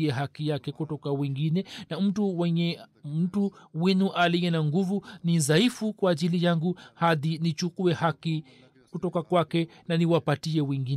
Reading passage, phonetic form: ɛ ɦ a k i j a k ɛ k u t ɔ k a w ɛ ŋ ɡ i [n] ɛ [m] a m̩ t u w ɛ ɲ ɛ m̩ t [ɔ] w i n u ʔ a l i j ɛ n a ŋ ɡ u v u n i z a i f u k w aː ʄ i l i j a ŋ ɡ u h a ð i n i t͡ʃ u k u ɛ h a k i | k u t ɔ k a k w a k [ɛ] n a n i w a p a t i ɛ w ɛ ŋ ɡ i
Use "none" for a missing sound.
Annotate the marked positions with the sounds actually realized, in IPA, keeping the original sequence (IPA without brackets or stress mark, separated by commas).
n, n, u, ɛ